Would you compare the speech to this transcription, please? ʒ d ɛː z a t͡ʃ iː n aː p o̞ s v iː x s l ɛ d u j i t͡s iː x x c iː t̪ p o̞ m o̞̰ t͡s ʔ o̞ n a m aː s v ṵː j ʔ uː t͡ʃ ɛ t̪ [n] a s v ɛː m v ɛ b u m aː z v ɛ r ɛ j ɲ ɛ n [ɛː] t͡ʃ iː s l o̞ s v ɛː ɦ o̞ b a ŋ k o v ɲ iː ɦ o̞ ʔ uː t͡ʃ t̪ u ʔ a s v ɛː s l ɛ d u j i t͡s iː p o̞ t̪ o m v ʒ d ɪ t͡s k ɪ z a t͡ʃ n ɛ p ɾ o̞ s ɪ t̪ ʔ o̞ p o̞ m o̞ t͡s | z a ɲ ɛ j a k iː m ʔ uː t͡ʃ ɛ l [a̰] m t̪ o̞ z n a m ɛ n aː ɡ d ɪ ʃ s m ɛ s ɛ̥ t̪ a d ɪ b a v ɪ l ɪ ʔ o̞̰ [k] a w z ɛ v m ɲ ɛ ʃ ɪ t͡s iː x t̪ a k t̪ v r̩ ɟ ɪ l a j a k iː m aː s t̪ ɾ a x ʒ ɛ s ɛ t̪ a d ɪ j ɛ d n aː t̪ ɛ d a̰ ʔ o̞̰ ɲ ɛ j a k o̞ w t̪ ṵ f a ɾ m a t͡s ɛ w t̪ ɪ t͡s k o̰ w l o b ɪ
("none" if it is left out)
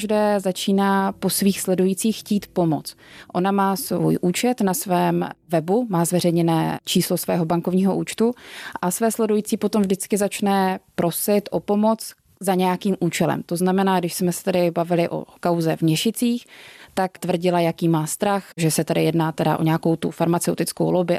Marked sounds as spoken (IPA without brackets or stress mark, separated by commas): n, ɛː, ɛ̰, k